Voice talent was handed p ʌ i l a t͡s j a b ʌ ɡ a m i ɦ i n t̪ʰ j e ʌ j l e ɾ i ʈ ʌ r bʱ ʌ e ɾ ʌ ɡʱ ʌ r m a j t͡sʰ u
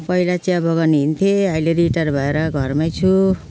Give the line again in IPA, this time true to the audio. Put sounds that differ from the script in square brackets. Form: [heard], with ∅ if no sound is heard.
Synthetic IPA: p ʌ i l a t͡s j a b ʌ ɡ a [n] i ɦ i n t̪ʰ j e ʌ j l e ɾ i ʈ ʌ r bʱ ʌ e ɾ ʌ ɡʱ ʌ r m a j t͡sʰ u